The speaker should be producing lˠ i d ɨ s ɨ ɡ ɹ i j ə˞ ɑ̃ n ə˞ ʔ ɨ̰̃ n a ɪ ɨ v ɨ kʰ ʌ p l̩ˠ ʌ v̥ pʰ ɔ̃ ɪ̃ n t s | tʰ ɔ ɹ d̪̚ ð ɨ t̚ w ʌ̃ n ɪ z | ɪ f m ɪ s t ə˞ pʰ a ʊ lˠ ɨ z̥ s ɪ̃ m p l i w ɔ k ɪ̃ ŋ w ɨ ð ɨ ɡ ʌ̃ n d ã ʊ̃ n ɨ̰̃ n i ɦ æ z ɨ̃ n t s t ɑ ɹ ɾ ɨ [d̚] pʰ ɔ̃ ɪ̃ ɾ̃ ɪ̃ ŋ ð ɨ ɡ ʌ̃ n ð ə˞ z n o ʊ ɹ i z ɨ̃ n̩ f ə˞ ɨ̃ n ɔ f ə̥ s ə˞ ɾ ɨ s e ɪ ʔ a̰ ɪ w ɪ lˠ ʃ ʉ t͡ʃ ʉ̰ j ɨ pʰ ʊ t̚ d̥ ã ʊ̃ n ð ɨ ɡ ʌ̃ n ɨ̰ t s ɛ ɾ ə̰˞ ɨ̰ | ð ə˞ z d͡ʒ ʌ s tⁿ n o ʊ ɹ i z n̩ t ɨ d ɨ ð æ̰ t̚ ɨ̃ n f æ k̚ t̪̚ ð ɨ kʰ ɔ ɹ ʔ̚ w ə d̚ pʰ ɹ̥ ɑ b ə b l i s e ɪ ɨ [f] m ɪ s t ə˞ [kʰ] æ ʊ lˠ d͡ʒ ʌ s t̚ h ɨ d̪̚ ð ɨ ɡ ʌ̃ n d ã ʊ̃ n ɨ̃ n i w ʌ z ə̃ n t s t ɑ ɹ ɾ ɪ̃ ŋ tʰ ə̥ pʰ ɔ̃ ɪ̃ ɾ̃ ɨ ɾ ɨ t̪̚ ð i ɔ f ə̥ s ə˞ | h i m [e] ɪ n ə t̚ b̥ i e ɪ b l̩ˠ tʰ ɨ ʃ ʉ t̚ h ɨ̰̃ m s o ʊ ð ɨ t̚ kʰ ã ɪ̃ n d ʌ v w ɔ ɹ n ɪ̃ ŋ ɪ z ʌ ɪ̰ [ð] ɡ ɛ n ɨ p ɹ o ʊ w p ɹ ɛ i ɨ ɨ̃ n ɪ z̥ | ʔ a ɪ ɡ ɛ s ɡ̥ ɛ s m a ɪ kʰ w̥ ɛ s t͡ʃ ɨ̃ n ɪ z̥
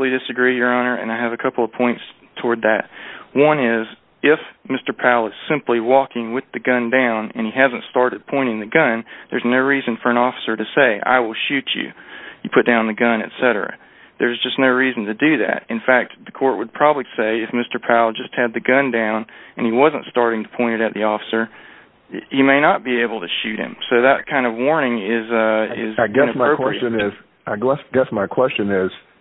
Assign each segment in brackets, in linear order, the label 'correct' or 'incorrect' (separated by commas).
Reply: correct, correct, incorrect, correct, incorrect